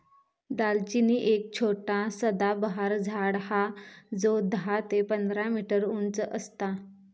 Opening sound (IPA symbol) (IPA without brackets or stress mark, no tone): d̪